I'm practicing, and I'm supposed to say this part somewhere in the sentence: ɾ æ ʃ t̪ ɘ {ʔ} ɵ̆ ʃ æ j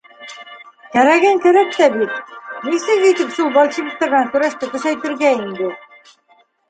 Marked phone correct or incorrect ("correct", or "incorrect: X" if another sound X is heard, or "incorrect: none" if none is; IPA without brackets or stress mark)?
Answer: incorrect: k